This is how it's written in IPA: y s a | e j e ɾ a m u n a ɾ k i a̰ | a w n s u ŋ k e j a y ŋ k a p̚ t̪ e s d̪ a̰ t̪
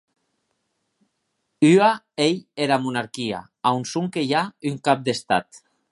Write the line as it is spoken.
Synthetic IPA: y a | e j e ɾ a m u n a ɾ k i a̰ | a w n s u ŋ k e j a y ŋ k a p̚ d̪ e s t̪ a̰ t̪